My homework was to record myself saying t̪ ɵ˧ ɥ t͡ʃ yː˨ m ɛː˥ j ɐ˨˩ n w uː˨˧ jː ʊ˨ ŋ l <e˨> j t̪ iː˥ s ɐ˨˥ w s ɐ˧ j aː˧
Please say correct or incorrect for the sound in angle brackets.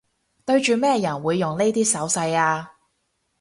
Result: incorrect